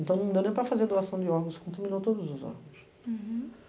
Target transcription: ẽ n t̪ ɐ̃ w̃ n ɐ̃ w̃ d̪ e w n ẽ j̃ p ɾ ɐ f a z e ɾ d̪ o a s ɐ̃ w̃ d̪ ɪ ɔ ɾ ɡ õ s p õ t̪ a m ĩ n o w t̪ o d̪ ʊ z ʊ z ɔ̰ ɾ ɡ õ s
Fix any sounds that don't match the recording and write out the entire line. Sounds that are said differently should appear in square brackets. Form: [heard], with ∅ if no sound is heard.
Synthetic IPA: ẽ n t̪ ɐ̃ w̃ n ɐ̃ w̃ d̪ e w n ẽ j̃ p ɾ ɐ f a z e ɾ d̪ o a s ɐ̃ w̃ d̪ ɪ ɔ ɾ ɡ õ s [k] õ t̪ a m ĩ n o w t̪ o d̪ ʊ z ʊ z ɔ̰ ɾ ɡ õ s